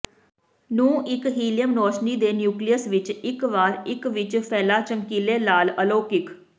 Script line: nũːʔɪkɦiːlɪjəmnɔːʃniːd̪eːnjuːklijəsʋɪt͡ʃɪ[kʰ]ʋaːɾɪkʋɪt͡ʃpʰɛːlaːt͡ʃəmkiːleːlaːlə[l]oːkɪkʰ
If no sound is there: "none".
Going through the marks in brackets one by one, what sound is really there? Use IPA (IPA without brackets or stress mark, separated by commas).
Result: k, l